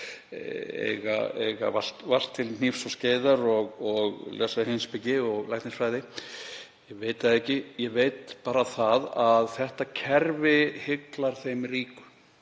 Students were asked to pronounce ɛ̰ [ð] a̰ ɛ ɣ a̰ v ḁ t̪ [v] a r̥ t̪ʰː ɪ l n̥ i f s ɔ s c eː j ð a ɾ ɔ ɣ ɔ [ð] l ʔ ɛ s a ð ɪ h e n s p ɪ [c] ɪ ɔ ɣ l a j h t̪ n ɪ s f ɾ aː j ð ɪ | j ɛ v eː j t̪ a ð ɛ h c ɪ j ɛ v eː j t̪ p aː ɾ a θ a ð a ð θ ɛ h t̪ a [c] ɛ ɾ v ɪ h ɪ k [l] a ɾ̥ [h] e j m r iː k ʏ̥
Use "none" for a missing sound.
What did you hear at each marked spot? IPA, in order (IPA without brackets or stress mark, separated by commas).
ɣ, v, ɣ, c, cʰ, l, θ